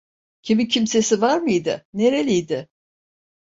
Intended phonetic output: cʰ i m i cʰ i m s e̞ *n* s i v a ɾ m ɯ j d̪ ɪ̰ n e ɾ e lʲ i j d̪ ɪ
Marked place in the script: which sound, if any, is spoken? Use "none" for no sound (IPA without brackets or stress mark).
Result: none